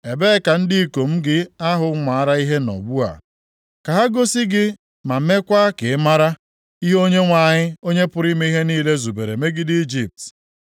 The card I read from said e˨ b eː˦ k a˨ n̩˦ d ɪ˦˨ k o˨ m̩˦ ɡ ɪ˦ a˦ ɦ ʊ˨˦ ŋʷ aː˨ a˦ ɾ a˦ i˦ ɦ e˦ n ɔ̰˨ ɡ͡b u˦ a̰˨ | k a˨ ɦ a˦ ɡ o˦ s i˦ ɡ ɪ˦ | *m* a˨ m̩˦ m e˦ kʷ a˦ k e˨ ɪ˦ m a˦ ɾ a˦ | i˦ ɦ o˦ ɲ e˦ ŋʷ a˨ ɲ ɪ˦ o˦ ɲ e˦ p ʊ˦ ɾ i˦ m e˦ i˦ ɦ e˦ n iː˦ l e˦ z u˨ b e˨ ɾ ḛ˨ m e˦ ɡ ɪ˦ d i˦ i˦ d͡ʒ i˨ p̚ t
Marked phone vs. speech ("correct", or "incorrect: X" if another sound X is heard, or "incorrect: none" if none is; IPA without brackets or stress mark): correct